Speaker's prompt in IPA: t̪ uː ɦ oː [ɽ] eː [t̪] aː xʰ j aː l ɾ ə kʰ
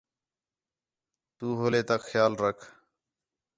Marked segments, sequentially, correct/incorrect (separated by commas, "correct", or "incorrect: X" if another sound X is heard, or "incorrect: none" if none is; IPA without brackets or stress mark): incorrect: l, correct